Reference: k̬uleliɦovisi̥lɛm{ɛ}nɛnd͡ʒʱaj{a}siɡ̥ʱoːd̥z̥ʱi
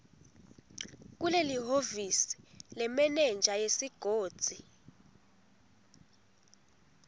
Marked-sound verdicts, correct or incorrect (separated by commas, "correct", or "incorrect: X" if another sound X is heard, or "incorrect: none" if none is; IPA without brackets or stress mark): correct, incorrect: e